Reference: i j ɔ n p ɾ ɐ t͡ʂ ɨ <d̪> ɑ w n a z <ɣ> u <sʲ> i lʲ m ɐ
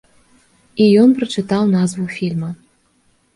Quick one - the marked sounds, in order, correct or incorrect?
incorrect: t̪, incorrect: v, incorrect: fʲ

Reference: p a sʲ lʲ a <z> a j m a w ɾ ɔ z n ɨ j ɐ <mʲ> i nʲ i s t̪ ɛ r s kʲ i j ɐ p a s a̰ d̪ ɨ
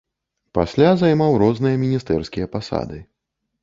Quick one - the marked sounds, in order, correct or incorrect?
correct, correct

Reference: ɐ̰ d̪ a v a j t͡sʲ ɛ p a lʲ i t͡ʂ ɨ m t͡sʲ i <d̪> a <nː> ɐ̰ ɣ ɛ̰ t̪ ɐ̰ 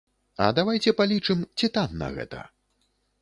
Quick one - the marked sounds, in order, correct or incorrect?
incorrect: t̪, correct

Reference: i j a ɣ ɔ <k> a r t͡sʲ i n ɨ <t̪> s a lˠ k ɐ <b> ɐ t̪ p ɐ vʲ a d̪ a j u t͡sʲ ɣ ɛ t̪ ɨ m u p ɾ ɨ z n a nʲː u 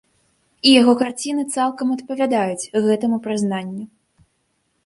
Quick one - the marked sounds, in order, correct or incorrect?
correct, correct, incorrect: m

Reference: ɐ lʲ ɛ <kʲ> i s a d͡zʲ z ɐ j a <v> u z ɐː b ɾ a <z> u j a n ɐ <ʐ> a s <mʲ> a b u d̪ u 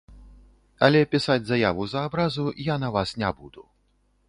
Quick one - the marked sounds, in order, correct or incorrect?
incorrect: pʲ, correct, correct, incorrect: v, incorrect: nʲ

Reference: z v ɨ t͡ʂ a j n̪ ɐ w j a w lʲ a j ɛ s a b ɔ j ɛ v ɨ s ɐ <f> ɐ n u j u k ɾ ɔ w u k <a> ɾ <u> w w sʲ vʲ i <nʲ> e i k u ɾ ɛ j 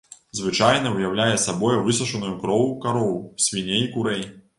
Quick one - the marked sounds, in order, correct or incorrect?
incorrect: ʂ, correct, incorrect: ɔ, correct

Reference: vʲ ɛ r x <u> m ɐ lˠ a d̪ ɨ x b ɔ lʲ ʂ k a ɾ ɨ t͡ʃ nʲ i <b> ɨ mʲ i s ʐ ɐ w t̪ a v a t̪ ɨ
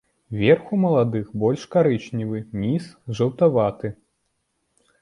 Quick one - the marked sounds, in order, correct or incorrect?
correct, incorrect: v

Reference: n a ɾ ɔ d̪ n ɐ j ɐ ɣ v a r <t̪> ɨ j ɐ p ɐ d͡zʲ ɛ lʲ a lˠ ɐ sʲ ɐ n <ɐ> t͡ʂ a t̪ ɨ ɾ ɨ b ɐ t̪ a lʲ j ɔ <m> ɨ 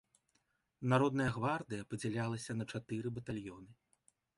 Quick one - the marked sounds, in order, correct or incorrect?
incorrect: d̪, correct, incorrect: n

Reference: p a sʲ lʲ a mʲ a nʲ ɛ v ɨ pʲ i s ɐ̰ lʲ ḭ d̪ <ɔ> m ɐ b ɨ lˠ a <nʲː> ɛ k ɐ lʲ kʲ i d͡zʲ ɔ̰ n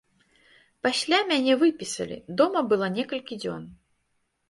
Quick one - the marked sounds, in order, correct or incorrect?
correct, incorrect: nʲ

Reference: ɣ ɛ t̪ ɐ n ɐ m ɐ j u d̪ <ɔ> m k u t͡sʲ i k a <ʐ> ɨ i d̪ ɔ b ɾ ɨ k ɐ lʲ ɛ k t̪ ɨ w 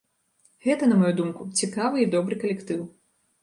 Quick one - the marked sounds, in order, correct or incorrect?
incorrect: u, incorrect: v

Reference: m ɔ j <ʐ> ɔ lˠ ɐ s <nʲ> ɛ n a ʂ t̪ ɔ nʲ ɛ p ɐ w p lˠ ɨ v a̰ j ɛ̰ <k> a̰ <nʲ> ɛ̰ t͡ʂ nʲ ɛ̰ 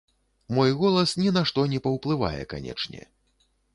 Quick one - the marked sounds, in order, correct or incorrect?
incorrect: ɣ, correct, correct, correct

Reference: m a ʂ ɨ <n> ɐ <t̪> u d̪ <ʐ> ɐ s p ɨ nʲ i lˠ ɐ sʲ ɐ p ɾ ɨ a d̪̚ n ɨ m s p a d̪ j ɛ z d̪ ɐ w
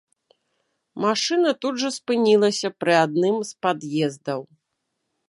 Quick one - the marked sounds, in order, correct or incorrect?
correct, correct, correct

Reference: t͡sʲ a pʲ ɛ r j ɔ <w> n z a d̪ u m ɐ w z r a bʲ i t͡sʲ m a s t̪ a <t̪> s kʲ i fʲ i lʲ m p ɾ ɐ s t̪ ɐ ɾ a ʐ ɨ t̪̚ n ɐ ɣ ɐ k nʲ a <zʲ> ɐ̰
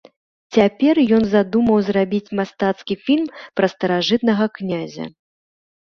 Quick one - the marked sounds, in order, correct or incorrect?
incorrect: none, correct, correct

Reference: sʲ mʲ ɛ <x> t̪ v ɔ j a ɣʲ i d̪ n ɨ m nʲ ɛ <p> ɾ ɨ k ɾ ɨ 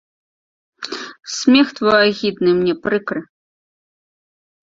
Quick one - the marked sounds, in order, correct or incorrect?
correct, correct

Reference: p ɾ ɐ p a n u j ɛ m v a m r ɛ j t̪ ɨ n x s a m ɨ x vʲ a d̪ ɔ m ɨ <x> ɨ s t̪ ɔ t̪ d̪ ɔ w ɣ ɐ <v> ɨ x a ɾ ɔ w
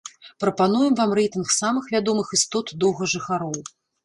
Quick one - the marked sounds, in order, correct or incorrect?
correct, incorrect: ʐ

